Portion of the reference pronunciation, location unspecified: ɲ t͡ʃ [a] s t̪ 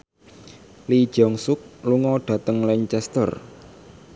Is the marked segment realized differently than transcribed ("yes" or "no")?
yes